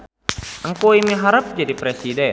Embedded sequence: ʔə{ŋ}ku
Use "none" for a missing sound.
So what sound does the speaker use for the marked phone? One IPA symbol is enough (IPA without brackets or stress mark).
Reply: ŋ